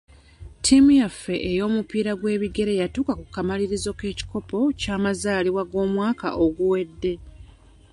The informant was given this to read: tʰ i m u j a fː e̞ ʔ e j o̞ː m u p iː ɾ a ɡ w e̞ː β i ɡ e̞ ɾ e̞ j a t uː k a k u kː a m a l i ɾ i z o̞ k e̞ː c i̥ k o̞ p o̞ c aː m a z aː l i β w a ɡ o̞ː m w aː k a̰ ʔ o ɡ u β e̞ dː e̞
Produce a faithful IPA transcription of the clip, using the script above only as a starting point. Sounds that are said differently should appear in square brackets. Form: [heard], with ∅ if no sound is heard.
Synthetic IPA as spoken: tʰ i m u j a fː e̞ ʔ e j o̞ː m u p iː ɾ a ɡ w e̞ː β i ɡ e̞ ɾ e̞ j a t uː k a k u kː a m a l i ɾ i z o̞ k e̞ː c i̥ k o̞ p o̞ c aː m a z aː l i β w a ɡ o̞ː m w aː k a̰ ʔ o ɡ u [w] e̞ dː e̞